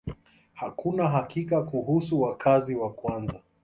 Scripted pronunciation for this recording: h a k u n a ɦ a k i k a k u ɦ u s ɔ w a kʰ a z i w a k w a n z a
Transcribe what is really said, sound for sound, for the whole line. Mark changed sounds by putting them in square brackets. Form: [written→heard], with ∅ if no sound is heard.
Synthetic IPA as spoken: h a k u n a ɦ a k i k a k u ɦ u s [ɔ→u] w a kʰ a z i w a k w a n z a